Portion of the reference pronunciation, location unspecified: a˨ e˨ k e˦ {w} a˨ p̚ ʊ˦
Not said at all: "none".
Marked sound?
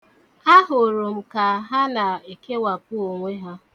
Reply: w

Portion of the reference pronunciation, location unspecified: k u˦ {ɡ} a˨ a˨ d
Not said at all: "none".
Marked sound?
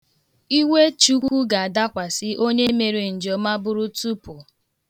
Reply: ɡ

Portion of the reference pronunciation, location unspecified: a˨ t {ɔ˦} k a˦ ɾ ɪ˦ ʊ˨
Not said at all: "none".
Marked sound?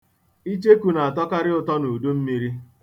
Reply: ɔ˦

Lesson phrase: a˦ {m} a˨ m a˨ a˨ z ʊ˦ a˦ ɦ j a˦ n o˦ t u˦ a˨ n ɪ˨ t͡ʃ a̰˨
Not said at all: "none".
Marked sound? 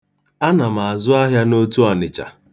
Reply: n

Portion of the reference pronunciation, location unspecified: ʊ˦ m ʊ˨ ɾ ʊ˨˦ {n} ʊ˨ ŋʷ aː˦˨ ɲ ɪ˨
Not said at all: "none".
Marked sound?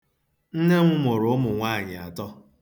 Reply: m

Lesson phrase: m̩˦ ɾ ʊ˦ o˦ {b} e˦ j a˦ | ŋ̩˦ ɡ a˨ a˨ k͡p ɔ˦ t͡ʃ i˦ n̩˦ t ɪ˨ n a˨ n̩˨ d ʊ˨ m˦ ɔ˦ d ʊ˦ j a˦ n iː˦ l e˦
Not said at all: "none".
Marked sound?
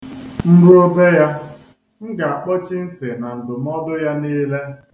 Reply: b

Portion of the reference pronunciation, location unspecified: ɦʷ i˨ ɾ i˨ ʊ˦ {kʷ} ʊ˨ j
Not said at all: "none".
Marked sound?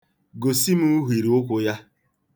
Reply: kʷ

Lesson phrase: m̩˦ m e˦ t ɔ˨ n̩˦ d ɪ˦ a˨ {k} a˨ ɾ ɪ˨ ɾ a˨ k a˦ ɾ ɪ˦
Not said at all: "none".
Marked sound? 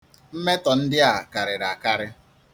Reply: k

